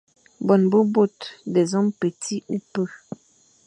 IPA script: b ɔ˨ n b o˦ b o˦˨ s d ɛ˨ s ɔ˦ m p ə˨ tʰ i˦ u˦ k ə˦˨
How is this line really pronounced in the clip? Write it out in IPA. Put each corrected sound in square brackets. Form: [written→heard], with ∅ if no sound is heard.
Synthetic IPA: b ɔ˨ n b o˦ b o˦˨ [s→t] d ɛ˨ [s→z] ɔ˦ m p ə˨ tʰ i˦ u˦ [k→p] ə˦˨